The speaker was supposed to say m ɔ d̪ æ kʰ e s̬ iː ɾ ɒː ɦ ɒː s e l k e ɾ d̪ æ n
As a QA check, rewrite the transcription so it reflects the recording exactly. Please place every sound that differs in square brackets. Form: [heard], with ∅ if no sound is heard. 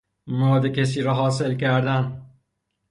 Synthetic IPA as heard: m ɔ d̪ [e] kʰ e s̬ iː ɾ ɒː ɦ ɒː s e l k [æ] ɾ d̪ æ n